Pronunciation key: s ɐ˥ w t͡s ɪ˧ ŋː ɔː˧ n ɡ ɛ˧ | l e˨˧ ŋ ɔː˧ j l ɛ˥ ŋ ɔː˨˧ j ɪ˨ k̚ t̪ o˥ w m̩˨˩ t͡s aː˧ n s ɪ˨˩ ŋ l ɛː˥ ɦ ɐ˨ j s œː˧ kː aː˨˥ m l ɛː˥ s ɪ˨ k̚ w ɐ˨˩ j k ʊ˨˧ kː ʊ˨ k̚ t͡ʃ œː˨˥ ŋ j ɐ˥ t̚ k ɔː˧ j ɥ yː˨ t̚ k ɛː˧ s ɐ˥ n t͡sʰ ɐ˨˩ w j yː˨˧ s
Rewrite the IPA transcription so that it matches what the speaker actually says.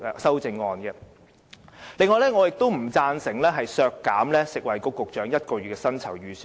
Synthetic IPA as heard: s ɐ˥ w t͡s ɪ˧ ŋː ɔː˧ n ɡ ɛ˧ | l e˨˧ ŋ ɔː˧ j l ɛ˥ ŋ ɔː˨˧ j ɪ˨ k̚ t̪ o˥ w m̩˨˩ t͡s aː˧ n s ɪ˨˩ ŋ l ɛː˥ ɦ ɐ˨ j s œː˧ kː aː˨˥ m l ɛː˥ s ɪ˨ k̚ w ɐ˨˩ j k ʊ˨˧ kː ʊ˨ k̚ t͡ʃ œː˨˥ ŋ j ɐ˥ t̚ k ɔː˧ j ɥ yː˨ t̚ k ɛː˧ s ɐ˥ n t͡sʰ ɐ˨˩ w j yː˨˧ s